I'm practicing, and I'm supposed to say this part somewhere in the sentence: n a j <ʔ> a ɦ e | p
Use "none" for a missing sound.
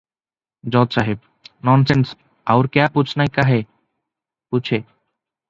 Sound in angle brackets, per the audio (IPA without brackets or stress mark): k